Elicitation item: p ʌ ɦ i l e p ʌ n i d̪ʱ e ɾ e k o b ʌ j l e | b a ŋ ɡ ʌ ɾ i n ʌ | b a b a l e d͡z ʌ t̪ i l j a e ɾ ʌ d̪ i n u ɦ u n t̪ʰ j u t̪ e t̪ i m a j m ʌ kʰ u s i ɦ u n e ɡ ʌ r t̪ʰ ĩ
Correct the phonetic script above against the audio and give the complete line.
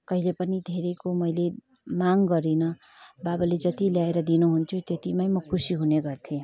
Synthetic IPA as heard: k ʌ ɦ i l e p ʌ n i d̪ʱ e ɾ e k o m ʌ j l e | m a ŋ ɡ ʌ ɾ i n ʌ | b a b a l e d͡z ʌ t̪ i l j a e ɾ ʌ d̪ i n u ɦ u n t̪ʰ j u t̪ e t̪ i m a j m ʌ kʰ u s i ɦ u n e ɡ ʌ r t̪ʰ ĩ